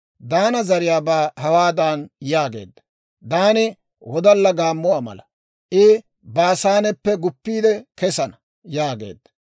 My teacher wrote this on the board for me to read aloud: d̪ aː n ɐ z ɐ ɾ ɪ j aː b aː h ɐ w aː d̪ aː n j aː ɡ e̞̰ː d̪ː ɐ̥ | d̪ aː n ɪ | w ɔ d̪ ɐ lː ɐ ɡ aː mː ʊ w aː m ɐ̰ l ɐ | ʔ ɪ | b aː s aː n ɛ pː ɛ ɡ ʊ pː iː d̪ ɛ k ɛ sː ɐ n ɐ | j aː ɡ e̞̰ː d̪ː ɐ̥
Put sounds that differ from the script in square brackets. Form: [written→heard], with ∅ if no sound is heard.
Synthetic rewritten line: d̪ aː n ɐ z ɐ ɾ ɪ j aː b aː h ɐ w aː d̪ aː n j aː ɡ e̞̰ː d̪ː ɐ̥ | d̪ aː n ɪ | w ɔ d̪ ɐ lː ɐ ɡ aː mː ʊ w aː m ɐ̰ l ɐ | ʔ ɪ | b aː s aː n ɛ pː ɛ ɡ ʊ pː iː d̪ ɛ k ɛ [sː→s] ɐ n ɐ | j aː ɡ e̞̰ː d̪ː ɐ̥

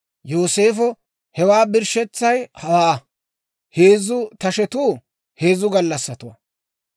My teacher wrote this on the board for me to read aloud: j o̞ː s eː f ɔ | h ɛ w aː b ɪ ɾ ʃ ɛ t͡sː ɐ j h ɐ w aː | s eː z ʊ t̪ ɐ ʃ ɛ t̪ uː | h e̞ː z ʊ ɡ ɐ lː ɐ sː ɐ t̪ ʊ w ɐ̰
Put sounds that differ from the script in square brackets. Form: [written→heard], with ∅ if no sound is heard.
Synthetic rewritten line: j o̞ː s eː f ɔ | h ɛ w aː b ɪ ɾ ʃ ɛ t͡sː ɐ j h ɐ w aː | [s→h] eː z ʊ t̪ ɐ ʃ ɛ t̪ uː | h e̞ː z ʊ ɡ ɐ lː ɐ sː ɐ t̪ ʊ w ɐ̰

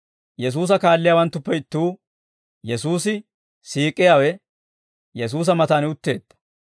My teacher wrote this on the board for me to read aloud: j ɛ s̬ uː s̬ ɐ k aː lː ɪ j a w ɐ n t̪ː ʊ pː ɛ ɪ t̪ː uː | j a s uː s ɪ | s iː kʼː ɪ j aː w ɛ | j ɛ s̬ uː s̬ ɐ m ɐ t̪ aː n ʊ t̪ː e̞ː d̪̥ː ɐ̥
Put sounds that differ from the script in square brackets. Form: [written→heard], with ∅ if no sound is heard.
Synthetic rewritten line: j ɛ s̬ uː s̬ ɐ k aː lː ɪ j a w ɐ n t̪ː ʊ pː ɛ ɪ t̪ː uː | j [a→ɛ] s uː s ɪ | s iː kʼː ɪ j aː w ɛ | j ɛ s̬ uː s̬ ɐ m ɐ t̪ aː n ʊ t̪ː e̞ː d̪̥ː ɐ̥

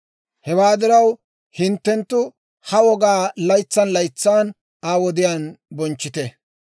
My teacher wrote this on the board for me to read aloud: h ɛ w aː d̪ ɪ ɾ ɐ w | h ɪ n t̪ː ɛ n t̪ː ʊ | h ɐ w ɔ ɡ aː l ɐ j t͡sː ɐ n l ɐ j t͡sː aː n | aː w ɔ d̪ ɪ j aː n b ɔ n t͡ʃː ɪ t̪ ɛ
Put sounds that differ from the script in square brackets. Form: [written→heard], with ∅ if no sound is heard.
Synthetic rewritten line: h ɛ w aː d̪ ɪ ɾ ɐ w | h ɪ n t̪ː ɛ n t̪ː ʊ | h ɐ w ɔ ɡ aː l ɐ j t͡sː ɐ n l ɐ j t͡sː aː n | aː w ɔ d̪ ɪ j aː n b ɔ n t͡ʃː ɪ t̪ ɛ

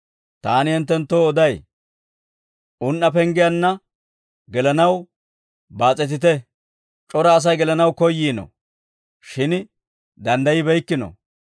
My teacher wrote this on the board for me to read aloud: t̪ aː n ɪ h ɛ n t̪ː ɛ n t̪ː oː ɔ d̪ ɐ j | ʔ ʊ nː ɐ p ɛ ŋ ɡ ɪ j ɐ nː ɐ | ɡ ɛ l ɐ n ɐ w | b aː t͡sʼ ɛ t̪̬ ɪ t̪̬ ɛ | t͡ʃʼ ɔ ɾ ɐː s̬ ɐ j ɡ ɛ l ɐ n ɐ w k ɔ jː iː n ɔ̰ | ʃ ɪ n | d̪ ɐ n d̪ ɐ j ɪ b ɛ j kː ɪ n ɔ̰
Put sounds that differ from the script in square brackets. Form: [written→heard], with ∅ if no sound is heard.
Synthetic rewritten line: t̪ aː n ɪ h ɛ n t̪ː ɛ n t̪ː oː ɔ d̪ ɐ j | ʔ ʊ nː ɐ p ɛ ŋ ɡ ɪ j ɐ nː ɐ | ɡ ɛ l ɐ n ɐ w | b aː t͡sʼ ɛ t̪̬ ɪ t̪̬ ɛ | t͡ʃʼ ɔ ɾ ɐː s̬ ɐ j ɡ ɛ l ɐ n ɐ w k ɔ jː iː n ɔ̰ | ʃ ɪ n | d̪ ɐ n d̪ ɐ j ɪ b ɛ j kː ɪ n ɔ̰

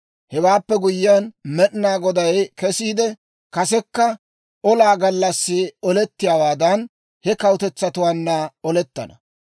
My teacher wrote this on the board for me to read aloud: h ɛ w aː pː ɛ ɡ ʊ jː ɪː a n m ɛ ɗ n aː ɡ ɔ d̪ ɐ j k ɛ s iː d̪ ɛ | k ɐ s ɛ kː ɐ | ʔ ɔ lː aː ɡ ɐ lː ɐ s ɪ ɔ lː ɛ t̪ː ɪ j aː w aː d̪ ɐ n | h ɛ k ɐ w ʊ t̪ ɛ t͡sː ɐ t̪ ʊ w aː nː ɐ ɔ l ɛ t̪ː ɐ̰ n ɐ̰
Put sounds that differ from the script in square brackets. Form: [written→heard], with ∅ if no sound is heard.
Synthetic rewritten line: h ɛ w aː pː ɛ ɡ ʊ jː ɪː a n m ɛ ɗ n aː ɡ ɔ d̪ ɐ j k ɛ s iː d̪ ɛ | k ɐ s ɛ kː ɐ | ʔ ɔ [lː→l] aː ɡ ɐ lː ɐ [s→sː] ɪ ɔ [lː→l] ɛ t̪ː ɪ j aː w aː d̪ ɐ n | h ɛ k ɐ w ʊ t̪ ɛ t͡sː ɐ t̪ ʊ w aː nː ɐ ɔ l ɛ t̪ː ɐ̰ n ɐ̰

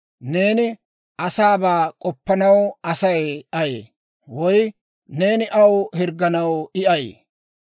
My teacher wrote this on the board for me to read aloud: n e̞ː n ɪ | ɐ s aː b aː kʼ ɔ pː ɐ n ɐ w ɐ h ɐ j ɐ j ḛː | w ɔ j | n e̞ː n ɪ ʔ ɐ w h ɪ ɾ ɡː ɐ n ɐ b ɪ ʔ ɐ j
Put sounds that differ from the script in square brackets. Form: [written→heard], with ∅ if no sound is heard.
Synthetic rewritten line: n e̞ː n ɪ | ɐ s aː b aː kʼ ɔ pː ɐ n ɐ w ɐ [h→s] ɐ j ɐ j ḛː | w ɔ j | n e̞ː n ɪ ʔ ɐ w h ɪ ɾ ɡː ɐ n ɐ [b→w] ɪ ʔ ɐ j

